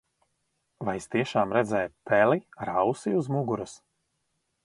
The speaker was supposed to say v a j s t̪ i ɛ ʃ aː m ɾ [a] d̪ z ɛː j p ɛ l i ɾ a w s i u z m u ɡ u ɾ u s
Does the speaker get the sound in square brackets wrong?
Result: yes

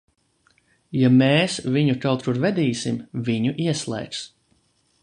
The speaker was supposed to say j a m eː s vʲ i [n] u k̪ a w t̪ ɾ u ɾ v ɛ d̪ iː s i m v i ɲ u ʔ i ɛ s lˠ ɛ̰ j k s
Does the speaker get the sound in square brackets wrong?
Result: yes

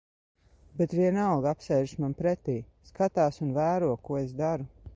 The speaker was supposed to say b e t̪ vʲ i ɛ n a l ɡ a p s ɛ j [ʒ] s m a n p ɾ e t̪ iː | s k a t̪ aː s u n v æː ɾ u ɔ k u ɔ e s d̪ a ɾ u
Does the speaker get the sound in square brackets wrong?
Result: no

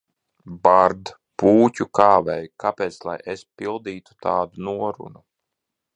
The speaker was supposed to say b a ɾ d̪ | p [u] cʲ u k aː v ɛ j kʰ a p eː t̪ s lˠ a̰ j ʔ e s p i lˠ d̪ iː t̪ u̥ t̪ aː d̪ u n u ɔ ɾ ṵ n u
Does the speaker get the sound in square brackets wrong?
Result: yes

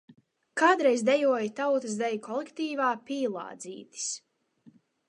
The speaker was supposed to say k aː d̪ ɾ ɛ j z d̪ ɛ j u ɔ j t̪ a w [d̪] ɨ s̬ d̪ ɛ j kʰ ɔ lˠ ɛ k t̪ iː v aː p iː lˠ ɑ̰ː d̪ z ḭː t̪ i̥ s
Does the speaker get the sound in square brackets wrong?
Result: yes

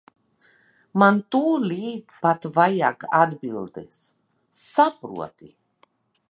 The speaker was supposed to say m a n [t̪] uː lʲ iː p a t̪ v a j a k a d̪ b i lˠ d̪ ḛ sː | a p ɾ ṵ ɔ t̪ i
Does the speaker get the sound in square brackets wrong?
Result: no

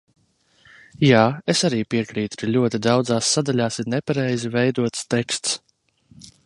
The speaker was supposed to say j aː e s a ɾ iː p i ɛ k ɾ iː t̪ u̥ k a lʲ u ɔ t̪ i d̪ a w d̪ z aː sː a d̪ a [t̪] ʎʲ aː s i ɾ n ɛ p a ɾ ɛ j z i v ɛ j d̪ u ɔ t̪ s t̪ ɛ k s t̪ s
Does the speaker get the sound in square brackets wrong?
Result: yes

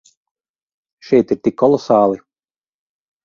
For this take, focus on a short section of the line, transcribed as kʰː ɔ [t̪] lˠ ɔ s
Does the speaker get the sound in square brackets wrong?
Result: yes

